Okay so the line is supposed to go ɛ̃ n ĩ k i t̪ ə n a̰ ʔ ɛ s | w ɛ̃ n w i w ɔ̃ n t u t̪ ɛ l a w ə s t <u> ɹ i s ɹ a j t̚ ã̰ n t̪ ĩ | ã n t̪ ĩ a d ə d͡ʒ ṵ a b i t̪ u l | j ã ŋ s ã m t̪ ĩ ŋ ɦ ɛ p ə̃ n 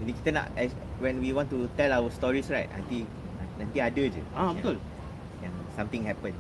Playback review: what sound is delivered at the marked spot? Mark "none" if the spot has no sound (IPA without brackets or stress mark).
ɔ